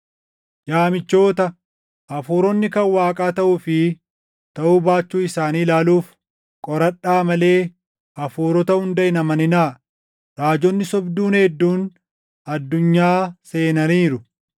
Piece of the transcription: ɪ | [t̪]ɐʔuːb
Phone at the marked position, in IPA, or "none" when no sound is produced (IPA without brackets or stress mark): t̪